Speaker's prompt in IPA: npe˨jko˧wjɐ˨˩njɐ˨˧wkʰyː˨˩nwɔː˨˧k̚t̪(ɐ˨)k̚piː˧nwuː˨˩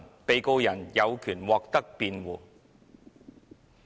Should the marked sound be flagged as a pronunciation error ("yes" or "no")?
yes